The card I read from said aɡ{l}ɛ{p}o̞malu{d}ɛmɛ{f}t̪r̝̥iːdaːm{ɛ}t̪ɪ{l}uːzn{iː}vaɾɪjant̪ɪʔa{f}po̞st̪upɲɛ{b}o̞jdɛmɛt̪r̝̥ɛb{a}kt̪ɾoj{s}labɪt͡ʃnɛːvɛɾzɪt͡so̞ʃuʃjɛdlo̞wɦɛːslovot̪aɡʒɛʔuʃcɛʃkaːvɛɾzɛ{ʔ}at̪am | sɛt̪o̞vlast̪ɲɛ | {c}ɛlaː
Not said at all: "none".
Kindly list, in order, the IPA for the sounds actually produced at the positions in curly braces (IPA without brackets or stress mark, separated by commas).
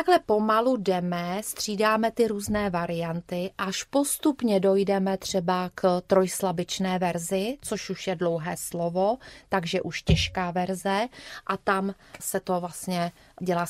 l, p, d, s, ɛ, ɾ, ɛː, ʃ, d, a, s, ʔ, ɟ